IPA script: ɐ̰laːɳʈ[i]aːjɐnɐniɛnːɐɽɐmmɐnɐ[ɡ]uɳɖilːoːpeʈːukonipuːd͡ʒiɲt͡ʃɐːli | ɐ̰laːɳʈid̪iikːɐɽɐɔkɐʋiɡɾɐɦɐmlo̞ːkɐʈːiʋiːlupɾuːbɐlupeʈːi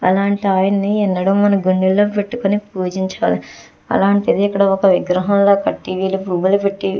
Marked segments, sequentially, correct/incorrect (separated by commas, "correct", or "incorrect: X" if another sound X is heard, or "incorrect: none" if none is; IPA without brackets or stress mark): correct, correct